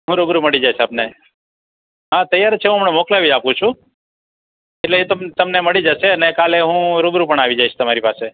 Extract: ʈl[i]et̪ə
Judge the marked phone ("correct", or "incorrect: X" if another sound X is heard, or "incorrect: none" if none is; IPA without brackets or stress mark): incorrect: e